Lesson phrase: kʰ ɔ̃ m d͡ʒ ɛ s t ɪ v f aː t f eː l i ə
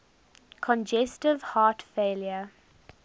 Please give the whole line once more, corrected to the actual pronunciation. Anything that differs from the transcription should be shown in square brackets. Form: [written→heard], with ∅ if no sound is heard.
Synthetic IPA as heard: kʰ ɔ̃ [m→n] d͡ʒ ɛ s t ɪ v [f→h] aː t f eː l [i→j] ə